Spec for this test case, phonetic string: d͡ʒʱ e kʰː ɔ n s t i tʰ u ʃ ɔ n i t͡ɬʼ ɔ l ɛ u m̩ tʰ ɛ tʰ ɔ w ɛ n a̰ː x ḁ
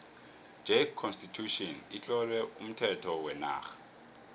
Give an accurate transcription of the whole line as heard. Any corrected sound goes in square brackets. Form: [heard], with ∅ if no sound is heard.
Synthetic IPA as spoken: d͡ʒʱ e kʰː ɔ n s t i tʰ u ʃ ɔ n i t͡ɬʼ ɔ l ɛ u m̩ tʰ ɛ tʰ ɔ w ɛ n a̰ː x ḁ

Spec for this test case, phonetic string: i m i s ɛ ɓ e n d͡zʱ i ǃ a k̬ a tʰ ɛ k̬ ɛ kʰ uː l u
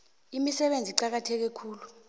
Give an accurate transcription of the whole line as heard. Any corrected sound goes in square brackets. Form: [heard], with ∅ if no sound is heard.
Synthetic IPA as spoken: i m i s ɛ ɓ e n d͡zʱ i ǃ a k̬ a tʰ ɛ k̬ ɛ kʰ uː l u

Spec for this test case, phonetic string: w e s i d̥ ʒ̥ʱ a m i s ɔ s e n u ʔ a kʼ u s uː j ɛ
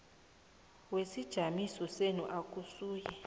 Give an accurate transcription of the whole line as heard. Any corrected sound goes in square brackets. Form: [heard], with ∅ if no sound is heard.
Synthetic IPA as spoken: w e s i d̥ ʒ̥ʱ a m i s ɔ s e n u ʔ a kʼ u s uː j ɛ

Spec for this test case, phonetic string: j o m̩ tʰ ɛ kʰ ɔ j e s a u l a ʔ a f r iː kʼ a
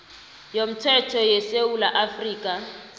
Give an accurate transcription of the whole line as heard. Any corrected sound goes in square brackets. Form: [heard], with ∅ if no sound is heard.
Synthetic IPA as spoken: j o m̩ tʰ ɛ [tʰ] ɔ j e s [e] u l a ʔ a f r iː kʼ a

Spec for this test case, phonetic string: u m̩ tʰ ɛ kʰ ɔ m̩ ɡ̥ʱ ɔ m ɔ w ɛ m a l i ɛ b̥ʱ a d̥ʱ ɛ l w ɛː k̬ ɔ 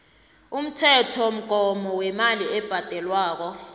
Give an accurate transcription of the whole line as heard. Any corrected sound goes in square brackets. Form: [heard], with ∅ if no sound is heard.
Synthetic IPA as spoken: u m̩ tʰ ɛ [tʰ] ɔ m̩ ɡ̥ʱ ɔ m ɔ w ɛ m a l i ɛ b̥ʱ a d̥ʱ ɛ l w [aː] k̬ ɔ

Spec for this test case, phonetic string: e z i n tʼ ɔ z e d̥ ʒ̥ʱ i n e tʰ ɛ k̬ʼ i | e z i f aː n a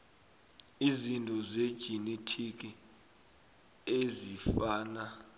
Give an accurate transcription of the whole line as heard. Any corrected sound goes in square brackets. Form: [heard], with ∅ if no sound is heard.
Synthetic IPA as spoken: [i] z i n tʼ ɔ z e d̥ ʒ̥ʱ i n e tʰ [i] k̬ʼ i | e z i f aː n a

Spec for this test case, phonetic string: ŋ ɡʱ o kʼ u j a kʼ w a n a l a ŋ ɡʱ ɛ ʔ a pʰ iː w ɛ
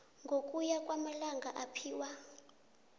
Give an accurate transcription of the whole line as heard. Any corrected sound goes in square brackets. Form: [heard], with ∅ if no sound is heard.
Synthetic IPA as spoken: ŋ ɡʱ o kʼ u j a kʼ w a [m] a l a ŋ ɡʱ [a] ʔ a pʰ iː w [a]

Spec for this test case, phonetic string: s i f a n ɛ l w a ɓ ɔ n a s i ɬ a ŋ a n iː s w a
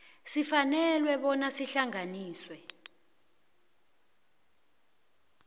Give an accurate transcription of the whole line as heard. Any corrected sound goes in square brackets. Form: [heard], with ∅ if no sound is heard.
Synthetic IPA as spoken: s i f a n ɛ l w [ɛ] ɓ ɔ n a s i ɬ a ŋ a n iː s w [ɛ]

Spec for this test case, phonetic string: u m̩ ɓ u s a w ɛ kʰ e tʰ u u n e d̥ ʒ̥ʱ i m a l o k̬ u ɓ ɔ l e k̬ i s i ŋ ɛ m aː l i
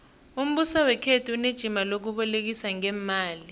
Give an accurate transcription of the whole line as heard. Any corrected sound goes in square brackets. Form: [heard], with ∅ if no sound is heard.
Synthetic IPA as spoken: u m̩ ɓ u s a w ɛ kʰ e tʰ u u n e d̥ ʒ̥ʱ i m a l o k̬ u ɓ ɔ l e k̬ i s [a] ŋ ɛ m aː l i

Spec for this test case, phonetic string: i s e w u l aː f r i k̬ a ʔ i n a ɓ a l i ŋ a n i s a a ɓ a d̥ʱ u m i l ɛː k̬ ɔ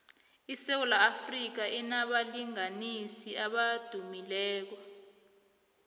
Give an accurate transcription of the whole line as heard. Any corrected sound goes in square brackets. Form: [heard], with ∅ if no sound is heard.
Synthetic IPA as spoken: i s e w u l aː f r i k̬ a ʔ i n a ɓ a l i ŋ a n i s [i] a ɓ a d̥ʱ u m i l ɛː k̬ ɔ

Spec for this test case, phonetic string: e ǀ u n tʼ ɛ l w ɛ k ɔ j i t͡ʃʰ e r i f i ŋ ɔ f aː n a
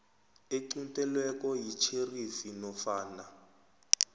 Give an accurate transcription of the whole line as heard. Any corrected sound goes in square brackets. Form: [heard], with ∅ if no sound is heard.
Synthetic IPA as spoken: e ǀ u n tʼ ɛ l w ɛ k ɔ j i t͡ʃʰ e r i f i [n] ɔ f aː n a

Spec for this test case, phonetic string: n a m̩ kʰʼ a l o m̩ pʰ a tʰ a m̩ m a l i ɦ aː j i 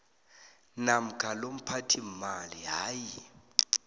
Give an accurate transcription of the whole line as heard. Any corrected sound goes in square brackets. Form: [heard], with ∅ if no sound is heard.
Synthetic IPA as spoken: n a m̩ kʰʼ a l o m̩ pʰ a tʰ [i] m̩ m a l i ɦ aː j i

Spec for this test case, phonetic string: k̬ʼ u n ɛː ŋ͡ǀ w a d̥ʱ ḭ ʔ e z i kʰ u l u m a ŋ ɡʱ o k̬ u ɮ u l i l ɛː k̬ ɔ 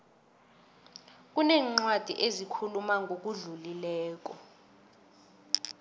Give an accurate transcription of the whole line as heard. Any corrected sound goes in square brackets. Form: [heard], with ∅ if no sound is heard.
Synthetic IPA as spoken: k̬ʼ u n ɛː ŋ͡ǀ w a d̥ʱ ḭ ʔ e z i kʰ u l u m a ŋ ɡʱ o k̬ u ɮ u l i l ɛː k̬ ɔ

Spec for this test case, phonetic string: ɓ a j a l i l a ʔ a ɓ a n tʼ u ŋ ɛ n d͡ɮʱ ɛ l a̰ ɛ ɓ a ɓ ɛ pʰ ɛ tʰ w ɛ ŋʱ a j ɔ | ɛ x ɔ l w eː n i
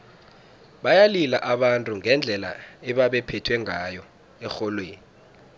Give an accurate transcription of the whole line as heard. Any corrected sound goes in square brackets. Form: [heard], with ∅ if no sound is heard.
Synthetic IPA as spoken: ɓ a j a l i l a ʔ a ɓ a n tʼ u ŋ ɛ n d͡ɮʱ ɛ l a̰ ɛ ɓ a ɓ ɛ pʰ ɛ tʰ w ɛ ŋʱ a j ɔ | ɛ x ɔ l w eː n i

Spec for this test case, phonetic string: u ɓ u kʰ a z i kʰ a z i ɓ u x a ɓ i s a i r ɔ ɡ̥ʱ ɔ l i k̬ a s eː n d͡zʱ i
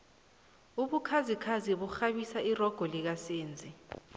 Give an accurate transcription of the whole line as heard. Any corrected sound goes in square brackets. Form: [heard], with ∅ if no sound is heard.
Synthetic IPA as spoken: u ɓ u kʰ a z i kʰ a z i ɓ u x a ɓ i s a i r ɔ ɡ̥ʱ ɔ l i k̬ a s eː n d͡zʱ i

